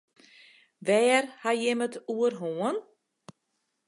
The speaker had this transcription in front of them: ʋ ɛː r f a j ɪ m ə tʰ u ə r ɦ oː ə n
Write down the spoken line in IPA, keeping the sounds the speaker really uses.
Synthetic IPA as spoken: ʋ ɛː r h a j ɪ m ə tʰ u ə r ɦ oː ə n